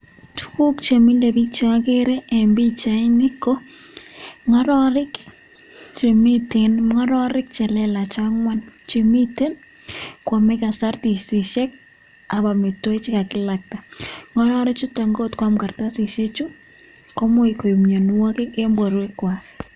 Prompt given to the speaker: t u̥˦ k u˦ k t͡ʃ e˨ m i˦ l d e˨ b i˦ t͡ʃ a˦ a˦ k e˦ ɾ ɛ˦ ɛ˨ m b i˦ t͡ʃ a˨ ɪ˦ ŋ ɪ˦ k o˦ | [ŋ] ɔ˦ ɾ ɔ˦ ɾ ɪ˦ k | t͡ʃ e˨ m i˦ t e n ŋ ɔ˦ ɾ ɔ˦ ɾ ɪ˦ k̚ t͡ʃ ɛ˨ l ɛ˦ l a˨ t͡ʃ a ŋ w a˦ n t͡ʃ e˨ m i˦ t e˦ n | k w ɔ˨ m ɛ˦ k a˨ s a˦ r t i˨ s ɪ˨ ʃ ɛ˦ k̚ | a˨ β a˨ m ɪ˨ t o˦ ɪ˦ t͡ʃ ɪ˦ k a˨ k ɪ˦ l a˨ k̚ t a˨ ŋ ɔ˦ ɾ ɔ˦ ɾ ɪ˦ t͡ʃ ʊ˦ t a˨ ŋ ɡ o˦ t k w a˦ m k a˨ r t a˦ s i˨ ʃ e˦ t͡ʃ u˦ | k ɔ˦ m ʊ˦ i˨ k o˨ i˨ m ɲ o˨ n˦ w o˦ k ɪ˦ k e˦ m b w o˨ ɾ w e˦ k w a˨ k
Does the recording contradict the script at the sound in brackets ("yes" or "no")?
no